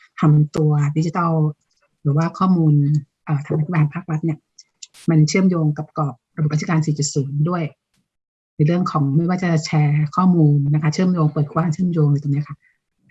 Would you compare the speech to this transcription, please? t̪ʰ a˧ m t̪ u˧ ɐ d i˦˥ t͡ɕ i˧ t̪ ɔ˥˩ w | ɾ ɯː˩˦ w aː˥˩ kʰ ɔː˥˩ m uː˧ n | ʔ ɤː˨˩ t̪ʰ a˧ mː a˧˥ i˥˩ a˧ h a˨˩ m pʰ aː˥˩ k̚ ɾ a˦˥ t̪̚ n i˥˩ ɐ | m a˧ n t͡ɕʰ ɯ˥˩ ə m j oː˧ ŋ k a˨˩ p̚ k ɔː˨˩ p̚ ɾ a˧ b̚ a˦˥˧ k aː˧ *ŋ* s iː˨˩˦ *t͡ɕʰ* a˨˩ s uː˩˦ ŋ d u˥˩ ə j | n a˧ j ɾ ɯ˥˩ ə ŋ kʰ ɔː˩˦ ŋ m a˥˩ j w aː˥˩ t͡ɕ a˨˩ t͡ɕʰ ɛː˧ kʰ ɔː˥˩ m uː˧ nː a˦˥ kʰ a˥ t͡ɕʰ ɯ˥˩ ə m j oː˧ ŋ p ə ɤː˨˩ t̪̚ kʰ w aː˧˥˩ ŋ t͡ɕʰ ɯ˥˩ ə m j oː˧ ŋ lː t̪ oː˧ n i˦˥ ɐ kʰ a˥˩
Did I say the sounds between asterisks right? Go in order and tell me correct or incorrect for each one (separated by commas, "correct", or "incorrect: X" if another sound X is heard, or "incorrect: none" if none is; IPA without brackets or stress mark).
incorrect: n, incorrect: t͡ɕ